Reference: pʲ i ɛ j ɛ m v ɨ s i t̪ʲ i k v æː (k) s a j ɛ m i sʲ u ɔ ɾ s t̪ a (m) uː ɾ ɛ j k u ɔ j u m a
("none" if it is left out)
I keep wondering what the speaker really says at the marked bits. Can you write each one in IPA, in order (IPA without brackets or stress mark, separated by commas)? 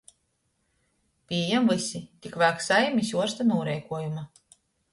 k, n